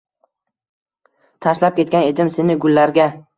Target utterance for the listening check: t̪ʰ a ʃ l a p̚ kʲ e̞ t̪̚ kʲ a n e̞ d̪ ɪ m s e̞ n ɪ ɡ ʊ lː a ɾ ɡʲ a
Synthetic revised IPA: t̪ʰ a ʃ l a p̚ kʲ e̞ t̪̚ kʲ a n e̞ d̪ ɪ m s e̞ n ɪ ɡ ʊ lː a ɾ ɡʲ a